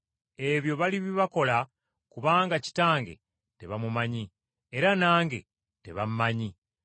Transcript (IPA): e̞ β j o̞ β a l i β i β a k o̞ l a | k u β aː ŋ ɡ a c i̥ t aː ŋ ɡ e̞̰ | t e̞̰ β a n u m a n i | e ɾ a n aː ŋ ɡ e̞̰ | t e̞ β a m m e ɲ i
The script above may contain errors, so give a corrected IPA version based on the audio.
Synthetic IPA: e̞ β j o̞ β a l i β i β a k o̞ l a | k u β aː ŋ ɡ a c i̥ t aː ŋ ɡ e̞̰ | t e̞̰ β a m u m a ɲ i | e ɾ a n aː ŋ ɡ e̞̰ | t e̞ β a m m a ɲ i